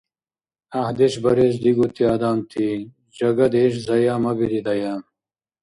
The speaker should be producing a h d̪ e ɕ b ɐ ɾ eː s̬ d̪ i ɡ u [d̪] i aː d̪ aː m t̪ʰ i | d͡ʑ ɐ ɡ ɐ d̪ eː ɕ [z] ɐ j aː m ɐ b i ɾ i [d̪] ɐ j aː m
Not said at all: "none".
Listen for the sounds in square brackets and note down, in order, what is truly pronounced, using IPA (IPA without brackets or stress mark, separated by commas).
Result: t̪, z, d̪